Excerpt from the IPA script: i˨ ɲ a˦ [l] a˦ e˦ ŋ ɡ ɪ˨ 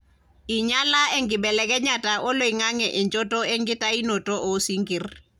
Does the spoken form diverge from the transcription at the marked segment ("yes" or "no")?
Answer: no